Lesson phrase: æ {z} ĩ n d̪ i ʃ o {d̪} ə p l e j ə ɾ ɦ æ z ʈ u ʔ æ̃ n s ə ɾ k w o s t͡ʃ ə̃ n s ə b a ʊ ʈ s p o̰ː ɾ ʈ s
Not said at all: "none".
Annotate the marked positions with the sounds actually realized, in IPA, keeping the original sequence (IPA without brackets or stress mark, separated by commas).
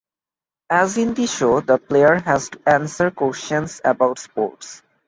z, d̪